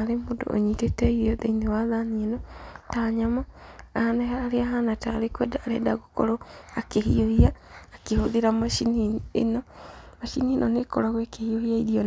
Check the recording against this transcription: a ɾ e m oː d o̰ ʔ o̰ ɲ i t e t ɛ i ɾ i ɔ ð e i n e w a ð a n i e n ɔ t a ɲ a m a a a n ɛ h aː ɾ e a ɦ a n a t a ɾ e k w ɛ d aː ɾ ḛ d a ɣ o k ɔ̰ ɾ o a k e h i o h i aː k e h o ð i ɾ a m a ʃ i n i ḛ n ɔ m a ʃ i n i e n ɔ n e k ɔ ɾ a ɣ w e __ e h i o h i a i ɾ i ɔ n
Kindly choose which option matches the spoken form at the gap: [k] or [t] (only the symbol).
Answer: k